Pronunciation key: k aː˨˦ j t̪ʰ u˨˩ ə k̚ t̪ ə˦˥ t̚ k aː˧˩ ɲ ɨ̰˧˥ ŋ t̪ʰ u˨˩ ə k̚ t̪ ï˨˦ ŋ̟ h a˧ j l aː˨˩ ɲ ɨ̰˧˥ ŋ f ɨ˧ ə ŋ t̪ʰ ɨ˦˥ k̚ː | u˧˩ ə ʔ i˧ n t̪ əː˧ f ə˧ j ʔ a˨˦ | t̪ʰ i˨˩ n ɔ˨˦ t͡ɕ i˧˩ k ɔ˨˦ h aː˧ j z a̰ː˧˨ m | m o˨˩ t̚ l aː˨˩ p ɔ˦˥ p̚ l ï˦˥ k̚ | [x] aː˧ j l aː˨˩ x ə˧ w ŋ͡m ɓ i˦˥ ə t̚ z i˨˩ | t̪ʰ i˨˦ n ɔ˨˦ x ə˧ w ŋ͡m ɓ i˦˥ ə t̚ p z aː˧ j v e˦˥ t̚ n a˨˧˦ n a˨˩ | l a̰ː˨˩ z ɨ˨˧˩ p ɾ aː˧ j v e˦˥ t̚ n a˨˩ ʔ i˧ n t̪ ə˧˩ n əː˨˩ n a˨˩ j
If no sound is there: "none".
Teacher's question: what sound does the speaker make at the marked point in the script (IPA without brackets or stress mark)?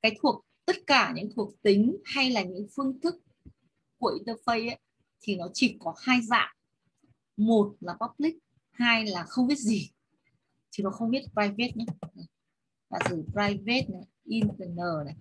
h